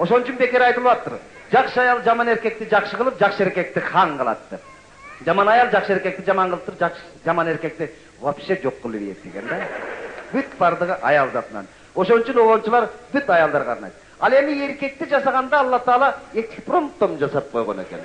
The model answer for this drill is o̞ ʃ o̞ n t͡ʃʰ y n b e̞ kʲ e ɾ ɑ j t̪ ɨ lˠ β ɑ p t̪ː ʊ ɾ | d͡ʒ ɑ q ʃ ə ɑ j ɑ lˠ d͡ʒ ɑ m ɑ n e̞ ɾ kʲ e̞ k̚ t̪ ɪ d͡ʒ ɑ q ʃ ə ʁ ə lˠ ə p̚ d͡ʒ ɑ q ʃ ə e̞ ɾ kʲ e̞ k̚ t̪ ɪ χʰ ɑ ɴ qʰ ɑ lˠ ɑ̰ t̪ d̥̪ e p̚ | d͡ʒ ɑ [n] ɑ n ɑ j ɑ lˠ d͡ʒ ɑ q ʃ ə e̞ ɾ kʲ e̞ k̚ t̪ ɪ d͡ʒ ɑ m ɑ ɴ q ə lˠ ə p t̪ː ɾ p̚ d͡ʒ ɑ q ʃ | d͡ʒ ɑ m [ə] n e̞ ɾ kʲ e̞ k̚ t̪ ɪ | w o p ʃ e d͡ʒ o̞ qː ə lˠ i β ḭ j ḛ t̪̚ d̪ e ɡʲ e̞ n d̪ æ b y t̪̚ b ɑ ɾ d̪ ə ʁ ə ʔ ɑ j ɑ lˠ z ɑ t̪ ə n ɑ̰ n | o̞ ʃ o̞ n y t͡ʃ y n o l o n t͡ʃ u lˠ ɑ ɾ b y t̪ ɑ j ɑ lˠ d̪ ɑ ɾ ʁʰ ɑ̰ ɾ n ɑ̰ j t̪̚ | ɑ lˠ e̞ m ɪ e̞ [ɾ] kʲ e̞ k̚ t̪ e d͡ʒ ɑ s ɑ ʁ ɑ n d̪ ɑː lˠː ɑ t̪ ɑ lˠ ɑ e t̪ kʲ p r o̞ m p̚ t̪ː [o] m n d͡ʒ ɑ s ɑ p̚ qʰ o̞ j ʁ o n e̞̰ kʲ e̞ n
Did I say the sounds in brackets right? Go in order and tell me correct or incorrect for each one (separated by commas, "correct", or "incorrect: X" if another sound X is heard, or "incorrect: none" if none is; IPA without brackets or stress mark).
incorrect: m, incorrect: ɑ, correct, correct